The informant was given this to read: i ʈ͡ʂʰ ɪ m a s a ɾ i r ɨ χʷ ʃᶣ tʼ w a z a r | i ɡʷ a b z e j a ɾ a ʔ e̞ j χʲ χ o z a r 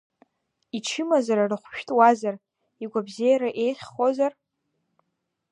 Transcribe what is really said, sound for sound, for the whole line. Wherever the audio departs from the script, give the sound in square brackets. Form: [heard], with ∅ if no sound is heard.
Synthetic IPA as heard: i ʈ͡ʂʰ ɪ m a [z] a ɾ [a] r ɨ χʷ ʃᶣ tʼ w a z a r | i ɡʷ a b z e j a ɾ a ʔ e̞ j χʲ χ o z a r